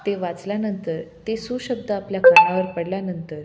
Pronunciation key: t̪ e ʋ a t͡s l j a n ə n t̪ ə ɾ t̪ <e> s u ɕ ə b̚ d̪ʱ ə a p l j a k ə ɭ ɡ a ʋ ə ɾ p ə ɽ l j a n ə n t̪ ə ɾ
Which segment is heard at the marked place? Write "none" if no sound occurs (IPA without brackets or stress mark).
e